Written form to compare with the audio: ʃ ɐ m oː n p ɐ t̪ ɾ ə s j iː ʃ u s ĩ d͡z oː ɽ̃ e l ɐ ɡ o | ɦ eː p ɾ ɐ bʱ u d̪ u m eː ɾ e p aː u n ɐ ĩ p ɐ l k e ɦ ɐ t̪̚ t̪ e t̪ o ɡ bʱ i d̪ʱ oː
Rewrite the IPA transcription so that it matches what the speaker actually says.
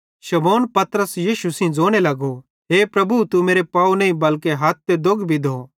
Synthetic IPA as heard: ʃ ɐ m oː n p ɐ t̪ ɾ ə s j iː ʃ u s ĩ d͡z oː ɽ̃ e l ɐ ɡ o | ɦ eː p ɾ ɐ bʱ u t̪ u m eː ɾ e p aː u n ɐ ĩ b ɐ l k e ɦ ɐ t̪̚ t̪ e d̪ o ɡ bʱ i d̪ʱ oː